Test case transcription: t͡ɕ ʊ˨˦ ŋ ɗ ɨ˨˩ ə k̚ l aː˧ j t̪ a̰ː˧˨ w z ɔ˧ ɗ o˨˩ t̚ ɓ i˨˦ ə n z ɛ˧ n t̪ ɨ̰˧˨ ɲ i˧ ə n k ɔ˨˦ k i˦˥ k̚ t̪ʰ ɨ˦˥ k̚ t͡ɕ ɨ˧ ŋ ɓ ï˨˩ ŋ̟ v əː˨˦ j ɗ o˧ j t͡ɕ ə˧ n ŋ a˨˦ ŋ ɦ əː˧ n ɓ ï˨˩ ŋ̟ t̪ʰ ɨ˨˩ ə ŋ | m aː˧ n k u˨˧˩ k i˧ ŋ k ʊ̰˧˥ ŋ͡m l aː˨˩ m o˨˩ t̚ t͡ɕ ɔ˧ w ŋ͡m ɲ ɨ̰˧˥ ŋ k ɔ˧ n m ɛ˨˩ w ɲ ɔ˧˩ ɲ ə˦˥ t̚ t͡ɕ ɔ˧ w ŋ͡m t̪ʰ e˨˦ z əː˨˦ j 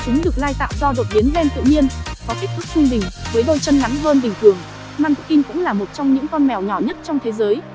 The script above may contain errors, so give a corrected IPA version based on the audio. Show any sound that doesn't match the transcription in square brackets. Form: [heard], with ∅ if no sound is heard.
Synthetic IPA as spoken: t͡ɕ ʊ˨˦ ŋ ɗ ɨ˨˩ ə k̚ l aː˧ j t̪ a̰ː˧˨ w z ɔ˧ ɗ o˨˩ t̚ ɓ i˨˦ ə n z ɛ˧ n t̪ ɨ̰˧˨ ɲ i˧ ə n k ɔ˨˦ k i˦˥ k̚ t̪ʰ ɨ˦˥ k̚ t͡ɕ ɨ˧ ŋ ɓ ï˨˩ ŋ̟ v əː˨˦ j ɗ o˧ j t͡ɕ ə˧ n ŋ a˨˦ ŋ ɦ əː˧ n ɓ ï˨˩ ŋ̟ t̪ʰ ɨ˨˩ ə ŋ | m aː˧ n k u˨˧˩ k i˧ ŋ k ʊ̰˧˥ ŋ͡m l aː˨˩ m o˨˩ t̚ t͡ɕ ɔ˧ w ŋ͡m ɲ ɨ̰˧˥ ŋ k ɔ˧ n m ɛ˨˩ w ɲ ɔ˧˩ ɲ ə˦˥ t̚ t͡ɕ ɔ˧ w ŋ͡m t̪ʰ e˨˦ z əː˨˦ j